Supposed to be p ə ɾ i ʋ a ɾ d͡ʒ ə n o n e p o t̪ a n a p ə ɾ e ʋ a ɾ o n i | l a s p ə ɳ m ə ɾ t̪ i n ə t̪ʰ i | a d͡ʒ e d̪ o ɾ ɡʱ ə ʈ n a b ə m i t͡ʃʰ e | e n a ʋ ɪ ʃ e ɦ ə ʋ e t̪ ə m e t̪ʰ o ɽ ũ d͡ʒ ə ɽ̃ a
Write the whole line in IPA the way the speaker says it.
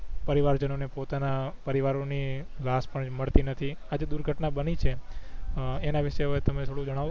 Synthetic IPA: p ə ɾ i ʋ a ɾ d͡ʒ ə n o n e p o t̪ a n a p ə ɾ i ʋ a ɾ o n i | l a s p ə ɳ m ə ɭ t̪ i n ə t̪ʰ i | a d͡ʒ e d̪ u ɾ ɡʱ ə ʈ n a b ə n i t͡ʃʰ e | e n a ʋ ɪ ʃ e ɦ ə ʋ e t̪ ə m e t̪ʰ o ɽ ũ d͡ʒ ə ɽ̃ a